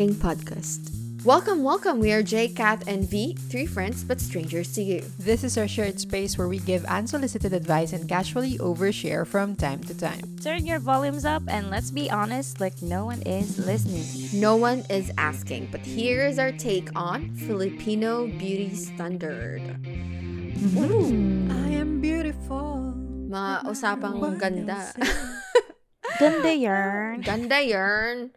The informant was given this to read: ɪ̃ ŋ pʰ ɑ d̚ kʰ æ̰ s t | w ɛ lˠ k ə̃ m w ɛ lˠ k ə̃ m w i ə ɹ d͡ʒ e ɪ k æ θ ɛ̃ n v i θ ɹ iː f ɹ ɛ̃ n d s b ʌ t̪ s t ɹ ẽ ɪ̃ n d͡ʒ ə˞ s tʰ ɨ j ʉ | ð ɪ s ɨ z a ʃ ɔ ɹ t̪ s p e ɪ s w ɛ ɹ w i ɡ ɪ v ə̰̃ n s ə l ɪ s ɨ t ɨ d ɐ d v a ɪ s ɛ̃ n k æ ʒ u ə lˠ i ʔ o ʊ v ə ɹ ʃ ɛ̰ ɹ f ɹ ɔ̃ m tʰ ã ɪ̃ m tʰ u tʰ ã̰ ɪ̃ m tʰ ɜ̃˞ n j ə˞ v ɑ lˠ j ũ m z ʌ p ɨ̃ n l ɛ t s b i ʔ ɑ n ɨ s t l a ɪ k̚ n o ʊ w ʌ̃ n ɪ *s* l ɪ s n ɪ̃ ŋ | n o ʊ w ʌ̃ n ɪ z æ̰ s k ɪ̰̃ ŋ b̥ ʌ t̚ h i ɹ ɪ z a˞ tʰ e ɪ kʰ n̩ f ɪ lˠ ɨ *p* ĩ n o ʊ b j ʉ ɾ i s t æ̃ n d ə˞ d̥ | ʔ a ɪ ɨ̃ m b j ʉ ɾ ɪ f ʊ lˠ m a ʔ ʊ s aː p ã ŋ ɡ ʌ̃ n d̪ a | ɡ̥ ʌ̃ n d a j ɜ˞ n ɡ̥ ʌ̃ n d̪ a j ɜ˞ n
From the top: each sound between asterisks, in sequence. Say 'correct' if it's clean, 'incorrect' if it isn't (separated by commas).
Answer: incorrect, incorrect